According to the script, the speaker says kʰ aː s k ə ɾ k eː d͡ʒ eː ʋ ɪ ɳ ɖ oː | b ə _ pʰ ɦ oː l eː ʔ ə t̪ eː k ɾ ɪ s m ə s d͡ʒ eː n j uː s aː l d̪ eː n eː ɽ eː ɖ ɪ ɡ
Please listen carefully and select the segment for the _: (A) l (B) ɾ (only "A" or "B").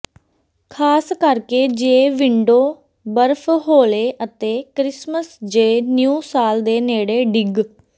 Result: B